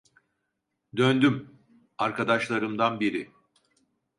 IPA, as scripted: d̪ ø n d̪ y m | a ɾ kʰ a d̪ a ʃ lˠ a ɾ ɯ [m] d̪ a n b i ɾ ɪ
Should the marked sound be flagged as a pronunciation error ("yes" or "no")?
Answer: no